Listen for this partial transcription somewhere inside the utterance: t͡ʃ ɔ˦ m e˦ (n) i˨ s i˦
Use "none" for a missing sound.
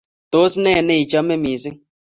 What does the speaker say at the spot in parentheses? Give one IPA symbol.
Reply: m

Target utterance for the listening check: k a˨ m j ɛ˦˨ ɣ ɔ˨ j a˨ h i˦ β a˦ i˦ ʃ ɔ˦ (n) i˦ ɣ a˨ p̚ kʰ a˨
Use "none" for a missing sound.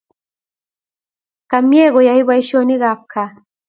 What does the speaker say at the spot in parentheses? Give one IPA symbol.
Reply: n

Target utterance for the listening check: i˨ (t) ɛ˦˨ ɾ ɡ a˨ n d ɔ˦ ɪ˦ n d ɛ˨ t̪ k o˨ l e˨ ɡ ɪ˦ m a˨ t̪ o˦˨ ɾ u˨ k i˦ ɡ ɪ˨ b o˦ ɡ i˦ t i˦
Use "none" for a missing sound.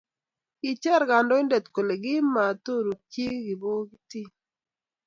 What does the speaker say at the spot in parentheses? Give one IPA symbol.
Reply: t͡ʃ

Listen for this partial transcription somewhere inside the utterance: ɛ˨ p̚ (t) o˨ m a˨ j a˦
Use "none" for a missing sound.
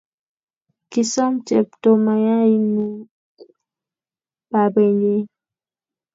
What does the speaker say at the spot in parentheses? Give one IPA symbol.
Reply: t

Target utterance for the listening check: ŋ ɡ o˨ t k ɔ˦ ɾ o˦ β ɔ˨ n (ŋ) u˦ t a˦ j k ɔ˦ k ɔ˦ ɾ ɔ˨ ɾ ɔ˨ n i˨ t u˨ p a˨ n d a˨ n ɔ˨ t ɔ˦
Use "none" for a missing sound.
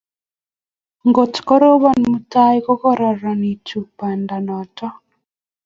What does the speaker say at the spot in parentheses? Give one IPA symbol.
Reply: m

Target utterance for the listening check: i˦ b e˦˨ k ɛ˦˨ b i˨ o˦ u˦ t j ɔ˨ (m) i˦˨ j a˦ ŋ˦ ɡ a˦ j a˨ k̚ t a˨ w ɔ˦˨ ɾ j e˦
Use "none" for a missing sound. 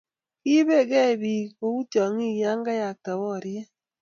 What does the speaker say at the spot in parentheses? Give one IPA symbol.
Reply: ŋ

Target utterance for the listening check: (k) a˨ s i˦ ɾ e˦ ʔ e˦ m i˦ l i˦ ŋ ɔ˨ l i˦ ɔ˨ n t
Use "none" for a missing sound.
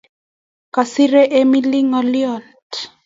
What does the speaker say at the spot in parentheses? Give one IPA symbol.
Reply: k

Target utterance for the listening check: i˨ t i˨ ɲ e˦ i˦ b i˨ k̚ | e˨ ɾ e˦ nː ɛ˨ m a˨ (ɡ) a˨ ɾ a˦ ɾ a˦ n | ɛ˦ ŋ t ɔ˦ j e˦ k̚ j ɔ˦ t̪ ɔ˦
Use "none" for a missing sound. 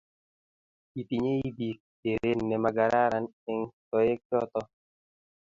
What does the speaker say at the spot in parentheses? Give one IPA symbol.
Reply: ɡ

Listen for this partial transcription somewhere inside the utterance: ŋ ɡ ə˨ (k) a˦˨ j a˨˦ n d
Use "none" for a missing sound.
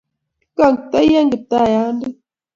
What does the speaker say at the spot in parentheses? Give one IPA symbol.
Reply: t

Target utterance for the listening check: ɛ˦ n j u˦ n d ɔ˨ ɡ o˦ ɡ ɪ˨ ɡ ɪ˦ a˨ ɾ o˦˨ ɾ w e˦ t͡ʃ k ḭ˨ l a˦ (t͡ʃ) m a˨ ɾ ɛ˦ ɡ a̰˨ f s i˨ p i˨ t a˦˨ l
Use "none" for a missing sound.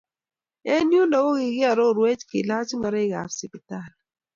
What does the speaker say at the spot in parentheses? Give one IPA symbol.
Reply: t͡ʃ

